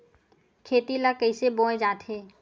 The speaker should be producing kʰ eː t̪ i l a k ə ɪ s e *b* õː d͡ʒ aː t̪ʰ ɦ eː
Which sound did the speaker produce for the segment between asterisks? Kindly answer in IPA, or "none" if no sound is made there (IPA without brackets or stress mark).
b